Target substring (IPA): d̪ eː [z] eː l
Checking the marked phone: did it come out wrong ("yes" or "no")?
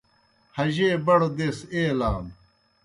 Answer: yes